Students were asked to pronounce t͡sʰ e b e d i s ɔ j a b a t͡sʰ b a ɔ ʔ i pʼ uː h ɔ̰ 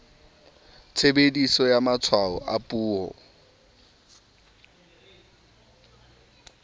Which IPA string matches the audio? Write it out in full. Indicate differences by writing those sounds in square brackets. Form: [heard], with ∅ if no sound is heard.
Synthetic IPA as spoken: t͡sʰ e b e d i s ɔ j a [m] a t͡sʰ [w] a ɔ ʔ [a] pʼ uː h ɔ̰